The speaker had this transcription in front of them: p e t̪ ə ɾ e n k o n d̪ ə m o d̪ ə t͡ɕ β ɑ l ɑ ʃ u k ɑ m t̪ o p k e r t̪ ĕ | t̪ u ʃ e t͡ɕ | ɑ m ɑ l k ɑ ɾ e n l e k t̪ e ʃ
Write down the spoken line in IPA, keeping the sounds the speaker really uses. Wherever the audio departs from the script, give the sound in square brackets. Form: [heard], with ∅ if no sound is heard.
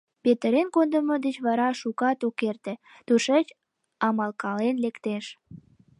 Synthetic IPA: p e t̪ ə ɾ e n k o n d̪ ə m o d̪ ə t͡ɕ β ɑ [ɾ] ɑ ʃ u k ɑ [∅] t̪ o [∅] k e r t̪ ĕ | t̪ u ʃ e t͡ɕ | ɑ m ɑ l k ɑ [l] e n l e k t̪ e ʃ